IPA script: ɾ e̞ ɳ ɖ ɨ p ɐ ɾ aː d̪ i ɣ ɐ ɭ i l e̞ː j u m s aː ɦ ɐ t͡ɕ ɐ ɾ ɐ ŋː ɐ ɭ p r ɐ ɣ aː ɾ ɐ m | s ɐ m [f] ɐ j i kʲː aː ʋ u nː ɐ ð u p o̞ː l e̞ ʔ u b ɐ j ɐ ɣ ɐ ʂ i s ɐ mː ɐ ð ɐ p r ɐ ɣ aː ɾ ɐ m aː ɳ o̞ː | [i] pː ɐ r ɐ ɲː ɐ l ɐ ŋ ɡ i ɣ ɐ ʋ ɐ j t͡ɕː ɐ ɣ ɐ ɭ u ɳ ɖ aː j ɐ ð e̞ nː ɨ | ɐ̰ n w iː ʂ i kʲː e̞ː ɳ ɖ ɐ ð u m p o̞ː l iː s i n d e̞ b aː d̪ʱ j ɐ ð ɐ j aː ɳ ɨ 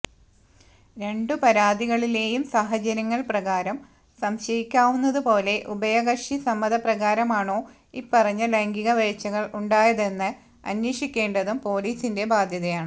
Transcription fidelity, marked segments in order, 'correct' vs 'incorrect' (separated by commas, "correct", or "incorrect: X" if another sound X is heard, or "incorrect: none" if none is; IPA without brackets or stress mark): incorrect: ɕ, correct